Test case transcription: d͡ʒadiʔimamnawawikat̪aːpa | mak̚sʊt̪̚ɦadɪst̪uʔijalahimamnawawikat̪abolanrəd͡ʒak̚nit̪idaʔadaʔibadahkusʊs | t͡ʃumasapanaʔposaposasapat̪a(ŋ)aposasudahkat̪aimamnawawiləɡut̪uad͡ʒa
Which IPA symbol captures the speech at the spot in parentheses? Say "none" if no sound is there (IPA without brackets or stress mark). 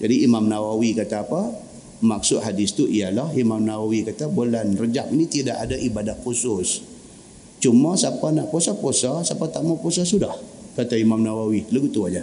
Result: m